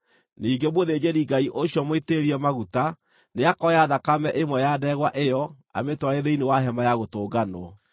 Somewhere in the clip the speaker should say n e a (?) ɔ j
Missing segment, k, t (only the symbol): k